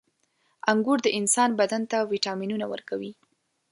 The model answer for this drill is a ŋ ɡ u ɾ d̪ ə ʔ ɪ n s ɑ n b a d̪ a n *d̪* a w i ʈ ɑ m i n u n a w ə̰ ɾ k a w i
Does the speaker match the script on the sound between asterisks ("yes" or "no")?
no